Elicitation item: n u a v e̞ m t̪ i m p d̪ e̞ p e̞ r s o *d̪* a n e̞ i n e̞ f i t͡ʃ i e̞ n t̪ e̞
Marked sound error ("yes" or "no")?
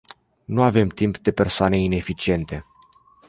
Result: yes